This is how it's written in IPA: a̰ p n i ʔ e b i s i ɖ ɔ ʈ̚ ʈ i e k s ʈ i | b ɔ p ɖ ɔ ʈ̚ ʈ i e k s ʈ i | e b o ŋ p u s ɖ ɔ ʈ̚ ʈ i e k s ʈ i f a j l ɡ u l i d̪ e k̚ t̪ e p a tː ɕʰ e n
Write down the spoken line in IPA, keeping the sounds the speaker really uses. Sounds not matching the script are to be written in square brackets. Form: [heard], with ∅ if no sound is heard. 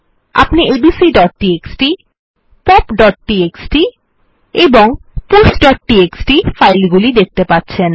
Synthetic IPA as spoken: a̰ p n i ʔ e b i s i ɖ ɔ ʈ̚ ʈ i e k s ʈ i | [p] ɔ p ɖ ɔ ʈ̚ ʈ i e k s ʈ i | e b o ŋ p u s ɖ ɔ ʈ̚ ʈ i e k s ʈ i f a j l ɡ u l i d̪ e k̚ t̪ e p a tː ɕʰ e n